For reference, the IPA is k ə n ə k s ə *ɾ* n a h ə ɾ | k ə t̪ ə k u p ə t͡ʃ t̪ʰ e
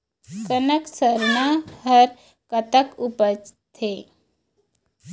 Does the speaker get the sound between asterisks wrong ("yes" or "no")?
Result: no